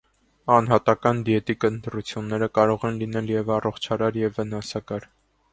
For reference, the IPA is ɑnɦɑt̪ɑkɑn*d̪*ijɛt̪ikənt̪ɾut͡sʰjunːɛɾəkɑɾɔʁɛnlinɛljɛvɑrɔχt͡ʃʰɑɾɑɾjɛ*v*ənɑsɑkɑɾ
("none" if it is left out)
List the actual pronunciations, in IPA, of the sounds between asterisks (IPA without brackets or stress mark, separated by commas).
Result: d̪, vː